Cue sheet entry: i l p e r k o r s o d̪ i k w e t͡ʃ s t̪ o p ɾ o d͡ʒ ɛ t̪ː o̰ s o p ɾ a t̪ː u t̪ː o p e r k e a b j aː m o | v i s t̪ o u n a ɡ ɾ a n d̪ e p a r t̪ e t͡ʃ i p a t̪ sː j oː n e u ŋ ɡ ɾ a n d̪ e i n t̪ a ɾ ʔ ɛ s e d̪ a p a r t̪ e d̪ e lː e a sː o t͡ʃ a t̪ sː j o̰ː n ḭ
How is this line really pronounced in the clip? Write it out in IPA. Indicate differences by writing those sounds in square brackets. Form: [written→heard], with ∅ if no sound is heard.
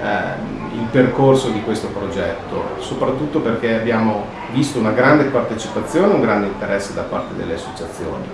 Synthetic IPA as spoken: i l p e r k o r s o d̪ i k w e [t͡ʃ→∅] s t̪ o p ɾ o d͡ʒ ɛ t̪ː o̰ s o p ɾ a t̪ː u t̪ː o p e r k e a b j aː m o | v i s t̪ o u n a ɡ ɾ a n d̪ e p a r t̪ e t͡ʃ i p a t̪ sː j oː n e u ŋ ɡ ɾ a n d̪ e i n t̪ [a→e] ɾ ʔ ɛ [s→sː] e d̪ a p a r t̪ e d̪ e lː e a sː o t͡ʃ a t̪ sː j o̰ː n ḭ

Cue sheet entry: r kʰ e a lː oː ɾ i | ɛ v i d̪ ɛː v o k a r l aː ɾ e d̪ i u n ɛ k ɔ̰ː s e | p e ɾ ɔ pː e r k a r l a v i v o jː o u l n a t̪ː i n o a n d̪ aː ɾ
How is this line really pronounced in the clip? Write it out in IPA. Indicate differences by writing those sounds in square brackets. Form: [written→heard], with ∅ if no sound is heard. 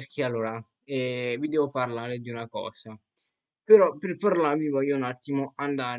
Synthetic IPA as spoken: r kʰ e a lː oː ɾ [i→a] | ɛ v i d̪ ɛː v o [k→p] a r l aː ɾ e d̪ i u n [ɛ→a] k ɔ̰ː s [e→a] | p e ɾ ɔ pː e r [k→p] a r l a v i v [o→ɔ] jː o u [l→∅] n a t̪ː i [n→m] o a n d̪ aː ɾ

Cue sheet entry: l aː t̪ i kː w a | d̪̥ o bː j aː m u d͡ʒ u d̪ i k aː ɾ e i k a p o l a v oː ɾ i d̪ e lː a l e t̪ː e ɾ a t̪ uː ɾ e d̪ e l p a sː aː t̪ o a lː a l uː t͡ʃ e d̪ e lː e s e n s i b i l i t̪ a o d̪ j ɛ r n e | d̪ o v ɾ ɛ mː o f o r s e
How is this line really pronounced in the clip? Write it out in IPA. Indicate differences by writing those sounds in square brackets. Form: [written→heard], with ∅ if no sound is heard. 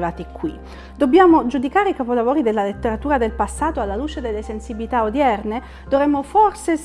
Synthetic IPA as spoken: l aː t̪ i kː w [a→i] | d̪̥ o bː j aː m [u→o] d͡ʒ u d̪ i k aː ɾ e i k a p o l a v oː ɾ i d̪ e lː a l e t̪ː e ɾ a t̪ uː ɾ [e→a] d̪ e l p a sː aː t̪ o a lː a l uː t͡ʃ e d̪ e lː e s e n s i b i l i t̪ a o d̪ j ɛ r n e | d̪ o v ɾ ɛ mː o f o r s e

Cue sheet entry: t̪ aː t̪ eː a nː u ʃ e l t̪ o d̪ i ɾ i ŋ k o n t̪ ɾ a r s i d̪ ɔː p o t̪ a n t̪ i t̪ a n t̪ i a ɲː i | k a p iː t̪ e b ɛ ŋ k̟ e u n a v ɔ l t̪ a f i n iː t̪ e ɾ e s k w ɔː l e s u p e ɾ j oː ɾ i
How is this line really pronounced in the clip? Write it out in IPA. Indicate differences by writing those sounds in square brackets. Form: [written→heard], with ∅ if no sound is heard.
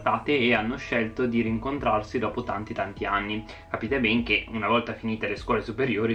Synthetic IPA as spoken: t̪ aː t̪ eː a nː [u→o] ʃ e l t̪ o d̪ i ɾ i ŋ k o n t̪ ɾ a r s i d̪ ɔː p o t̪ a n t̪ i t̪ a n t̪ i a [ɲː→nː] i | k a p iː t̪ e b ɛ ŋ k̟ e u n a v ɔ l t̪ a f i n iː t̪ e [ɾ→l] e s k w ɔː l e s u p e ɾ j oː ɾ i

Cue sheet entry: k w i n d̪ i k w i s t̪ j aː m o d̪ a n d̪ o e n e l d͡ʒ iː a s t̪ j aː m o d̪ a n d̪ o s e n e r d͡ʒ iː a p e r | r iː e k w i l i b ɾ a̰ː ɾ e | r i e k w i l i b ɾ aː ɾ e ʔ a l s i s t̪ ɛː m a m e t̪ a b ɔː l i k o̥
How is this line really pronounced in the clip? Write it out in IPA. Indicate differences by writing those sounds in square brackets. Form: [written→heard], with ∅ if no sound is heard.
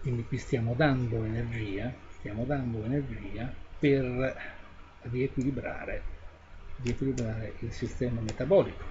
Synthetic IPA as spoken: k w i n d̪ i k w i s t̪ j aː m o d̪ a n d̪ o e n e [l→r] d͡ʒ iː a s t̪ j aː m o d̪ a n d̪ o [s→∅] e n e r d͡ʒ iː a p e r | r [iː→i] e k w i l i b ɾ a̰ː ɾ e | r i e k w i l i b ɾ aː ɾ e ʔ [a→i] l s i s t̪ ɛː m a m e t̪ a b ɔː l i k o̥

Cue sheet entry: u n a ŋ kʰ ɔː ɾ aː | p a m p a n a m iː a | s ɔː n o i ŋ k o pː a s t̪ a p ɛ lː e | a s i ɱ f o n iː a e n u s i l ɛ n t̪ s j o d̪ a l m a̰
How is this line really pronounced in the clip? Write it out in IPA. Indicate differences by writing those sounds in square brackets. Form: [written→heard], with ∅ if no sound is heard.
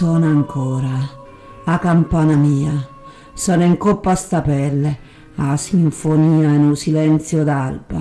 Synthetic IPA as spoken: [u→ɔ] n a ŋ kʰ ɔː ɾ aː | [p→k] a m p a n a m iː a | s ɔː n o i ŋ k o pː a s t̪ a p ɛ lː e | a s i ɱ f o n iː a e n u s i l ɛ n t̪ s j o d̪ a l [m→b] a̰

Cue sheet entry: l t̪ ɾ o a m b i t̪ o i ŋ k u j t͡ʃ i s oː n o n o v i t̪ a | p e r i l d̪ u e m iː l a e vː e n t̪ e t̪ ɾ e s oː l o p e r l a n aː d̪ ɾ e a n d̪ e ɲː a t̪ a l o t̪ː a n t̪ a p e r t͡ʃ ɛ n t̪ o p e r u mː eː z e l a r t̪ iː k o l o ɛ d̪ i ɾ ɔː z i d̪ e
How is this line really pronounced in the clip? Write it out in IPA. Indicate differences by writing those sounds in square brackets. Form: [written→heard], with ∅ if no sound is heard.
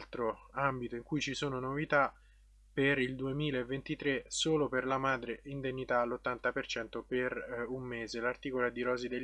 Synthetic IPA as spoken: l t̪ ɾ o a m b i t̪ o i ŋ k u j t͡ʃ i s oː n o n o v i t̪ a | p e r i l d̪ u e m iː l a e vː e n t̪ [e→i] t̪ ɾ e s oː l o p e r l a [n→m] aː d̪ ɾ e [a→i] n d̪ e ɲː [a→i] t̪ a l o t̪ː a n t̪ a p e r t͡ʃ ɛ n t̪ o p e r u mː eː z e l a r t̪ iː k o l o ɛ d̪ i ɾ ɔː z i d̪ e

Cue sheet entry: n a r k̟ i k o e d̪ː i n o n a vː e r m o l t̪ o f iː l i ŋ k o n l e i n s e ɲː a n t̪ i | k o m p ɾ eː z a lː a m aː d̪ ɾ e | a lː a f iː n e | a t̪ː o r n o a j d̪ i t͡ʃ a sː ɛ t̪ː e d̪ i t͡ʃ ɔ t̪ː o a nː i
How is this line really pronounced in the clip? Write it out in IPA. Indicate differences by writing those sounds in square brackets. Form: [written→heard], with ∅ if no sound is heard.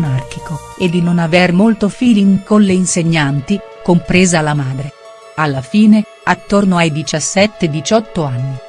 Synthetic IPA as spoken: n a r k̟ i k o e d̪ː i n o n a [vː→v] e r m o l t̪ o f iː l i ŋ k o n l e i n s e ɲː a n t̪ i | k o m p ɾ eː z a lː a m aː d̪ ɾ e | a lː a f iː n e | a t̪ː o r n o a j d̪ i t͡ʃ a sː ɛ t̪ː e d̪ i t͡ʃ ɔ t̪ː o a nː i

